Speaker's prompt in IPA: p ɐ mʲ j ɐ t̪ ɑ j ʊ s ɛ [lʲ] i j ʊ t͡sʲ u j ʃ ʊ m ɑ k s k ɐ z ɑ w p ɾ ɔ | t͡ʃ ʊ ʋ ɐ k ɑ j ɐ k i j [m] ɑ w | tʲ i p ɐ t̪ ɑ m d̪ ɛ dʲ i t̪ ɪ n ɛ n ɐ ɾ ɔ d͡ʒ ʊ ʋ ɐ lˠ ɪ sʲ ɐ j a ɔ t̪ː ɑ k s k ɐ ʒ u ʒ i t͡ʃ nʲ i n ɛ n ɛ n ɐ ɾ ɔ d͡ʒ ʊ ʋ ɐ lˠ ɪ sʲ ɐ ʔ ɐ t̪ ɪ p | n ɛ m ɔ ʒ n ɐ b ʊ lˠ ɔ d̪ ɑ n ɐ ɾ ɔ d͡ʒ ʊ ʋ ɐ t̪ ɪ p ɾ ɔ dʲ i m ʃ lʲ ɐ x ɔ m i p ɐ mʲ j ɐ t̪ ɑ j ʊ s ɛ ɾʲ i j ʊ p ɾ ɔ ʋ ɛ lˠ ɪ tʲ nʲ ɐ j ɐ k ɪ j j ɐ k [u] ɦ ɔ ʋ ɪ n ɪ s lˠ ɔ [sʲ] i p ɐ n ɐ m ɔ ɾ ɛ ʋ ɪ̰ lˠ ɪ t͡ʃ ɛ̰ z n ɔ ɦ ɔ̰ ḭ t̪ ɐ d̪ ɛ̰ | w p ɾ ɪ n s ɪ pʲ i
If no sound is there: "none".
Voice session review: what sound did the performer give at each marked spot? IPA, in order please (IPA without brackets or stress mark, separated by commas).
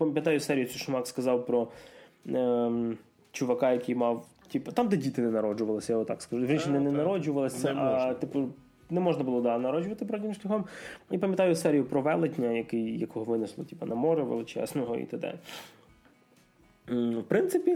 ɾʲ, m, ɔ, tʲ